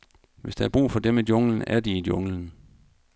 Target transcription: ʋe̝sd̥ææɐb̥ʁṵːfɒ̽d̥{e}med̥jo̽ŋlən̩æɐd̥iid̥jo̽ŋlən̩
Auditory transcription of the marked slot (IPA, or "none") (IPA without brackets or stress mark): e